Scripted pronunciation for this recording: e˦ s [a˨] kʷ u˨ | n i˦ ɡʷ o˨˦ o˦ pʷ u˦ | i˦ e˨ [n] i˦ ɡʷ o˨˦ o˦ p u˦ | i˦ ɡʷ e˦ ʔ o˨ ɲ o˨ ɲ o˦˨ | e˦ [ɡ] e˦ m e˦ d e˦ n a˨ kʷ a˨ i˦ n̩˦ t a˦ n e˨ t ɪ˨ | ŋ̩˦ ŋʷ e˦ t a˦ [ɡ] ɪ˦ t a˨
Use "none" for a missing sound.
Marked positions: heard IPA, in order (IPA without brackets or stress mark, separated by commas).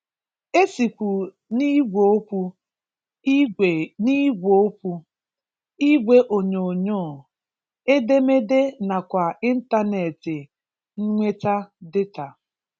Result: i˨, n, d, d